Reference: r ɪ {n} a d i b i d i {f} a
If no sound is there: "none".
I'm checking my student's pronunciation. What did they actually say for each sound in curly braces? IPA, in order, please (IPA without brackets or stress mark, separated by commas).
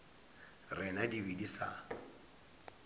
n, s